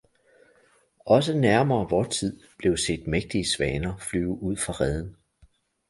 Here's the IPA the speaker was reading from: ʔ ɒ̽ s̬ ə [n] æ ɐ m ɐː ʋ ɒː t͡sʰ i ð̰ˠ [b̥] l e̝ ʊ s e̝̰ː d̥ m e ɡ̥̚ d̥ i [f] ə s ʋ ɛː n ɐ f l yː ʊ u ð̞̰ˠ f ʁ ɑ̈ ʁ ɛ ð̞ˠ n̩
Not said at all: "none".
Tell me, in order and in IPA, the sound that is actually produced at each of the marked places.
n, b̥, none

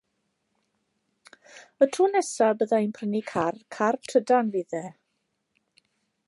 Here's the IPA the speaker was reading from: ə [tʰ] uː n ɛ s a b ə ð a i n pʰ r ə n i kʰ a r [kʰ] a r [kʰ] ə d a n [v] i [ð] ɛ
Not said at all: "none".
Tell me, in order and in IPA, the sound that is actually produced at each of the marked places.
tʰ, kʰ, tʰ, v, ð

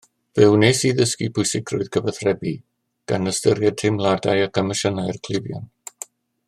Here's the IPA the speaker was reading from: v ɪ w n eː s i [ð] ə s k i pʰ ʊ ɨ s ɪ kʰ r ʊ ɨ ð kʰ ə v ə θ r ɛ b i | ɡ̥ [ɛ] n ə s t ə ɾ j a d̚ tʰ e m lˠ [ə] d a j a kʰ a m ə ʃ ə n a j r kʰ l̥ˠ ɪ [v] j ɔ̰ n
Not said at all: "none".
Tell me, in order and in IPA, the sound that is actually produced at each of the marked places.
ð, a, a, v

